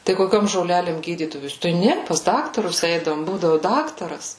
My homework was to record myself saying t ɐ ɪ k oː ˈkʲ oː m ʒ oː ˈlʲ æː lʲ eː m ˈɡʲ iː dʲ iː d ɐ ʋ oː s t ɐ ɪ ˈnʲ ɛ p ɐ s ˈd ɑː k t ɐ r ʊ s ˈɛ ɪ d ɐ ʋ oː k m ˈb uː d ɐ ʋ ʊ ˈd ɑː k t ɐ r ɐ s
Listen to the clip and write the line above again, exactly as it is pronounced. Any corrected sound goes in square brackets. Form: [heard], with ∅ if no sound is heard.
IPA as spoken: t ɐ ɪ k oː ˈkʲ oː m ʒ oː ˈlʲ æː lʲ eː m ˈɡʲ iː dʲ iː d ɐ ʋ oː s t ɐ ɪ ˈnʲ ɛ p ɐ s ˈd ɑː k t ɐ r ʊ s ˈɛ ɪ d ɐ ʋ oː [∅] m ˈb uː d ɐ ʋ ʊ ˈd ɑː k t ɐ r ɐ s